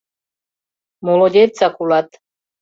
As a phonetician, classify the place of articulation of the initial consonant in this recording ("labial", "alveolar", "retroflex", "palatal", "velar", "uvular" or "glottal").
labial